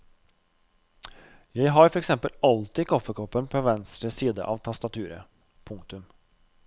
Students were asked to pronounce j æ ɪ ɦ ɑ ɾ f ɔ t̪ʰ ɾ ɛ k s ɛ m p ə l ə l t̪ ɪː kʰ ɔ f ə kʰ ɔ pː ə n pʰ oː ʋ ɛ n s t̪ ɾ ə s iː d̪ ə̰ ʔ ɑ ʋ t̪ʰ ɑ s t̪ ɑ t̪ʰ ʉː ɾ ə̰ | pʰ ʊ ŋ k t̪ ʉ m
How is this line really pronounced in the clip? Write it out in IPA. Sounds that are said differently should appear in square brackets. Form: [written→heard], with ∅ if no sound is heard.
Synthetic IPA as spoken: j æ ɪ ɦ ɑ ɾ f ɔ [t̪ʰ→∅] ɾ ɛ k s ɛ m p ə l [ə→ɑ] l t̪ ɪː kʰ ɔ f ə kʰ ɔ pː ə n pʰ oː ʋ ɛ n s t̪ ɾ ə s iː d̪ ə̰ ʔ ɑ ʋ t̪ʰ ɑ s t̪ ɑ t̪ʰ ʉː ɾ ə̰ | pʰ ʊ ŋ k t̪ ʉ m